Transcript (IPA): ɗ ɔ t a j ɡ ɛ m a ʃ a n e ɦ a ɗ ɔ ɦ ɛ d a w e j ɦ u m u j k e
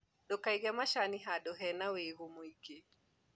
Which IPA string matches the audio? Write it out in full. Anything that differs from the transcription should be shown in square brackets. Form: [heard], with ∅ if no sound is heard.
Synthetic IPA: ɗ ɔ [k] a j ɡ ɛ m a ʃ a n [i] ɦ a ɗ ɔ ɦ ɛ [n] a w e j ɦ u m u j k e